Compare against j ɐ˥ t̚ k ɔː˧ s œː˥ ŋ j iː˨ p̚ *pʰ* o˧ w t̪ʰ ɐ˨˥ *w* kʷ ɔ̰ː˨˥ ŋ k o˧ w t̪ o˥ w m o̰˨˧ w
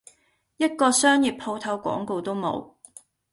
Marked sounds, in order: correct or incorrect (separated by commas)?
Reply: correct, correct